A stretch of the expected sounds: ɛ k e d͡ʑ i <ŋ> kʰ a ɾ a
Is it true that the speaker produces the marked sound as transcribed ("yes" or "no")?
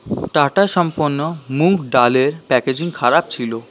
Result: yes